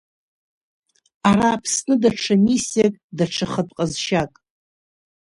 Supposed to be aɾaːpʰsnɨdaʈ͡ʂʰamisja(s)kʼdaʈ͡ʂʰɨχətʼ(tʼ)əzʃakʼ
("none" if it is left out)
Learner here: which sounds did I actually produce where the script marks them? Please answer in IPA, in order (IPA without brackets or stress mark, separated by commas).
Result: none, qʼ